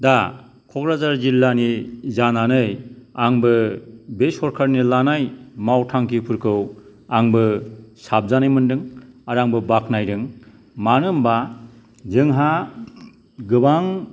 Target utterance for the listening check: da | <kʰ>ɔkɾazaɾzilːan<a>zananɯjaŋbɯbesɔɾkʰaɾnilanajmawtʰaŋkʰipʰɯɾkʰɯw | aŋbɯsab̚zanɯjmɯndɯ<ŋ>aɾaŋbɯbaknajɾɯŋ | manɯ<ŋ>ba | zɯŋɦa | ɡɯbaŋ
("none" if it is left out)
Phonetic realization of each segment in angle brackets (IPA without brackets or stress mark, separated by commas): kʰ, i, ŋ, m